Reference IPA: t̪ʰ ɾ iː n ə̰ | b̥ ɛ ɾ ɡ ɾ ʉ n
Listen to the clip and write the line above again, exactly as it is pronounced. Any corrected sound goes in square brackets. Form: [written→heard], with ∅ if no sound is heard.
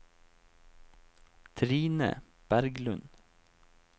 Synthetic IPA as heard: t̪ʰ ɾ iː n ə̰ | b̥ [ɛ→æ] ɾ ɡ [ɾ→l] ʉ n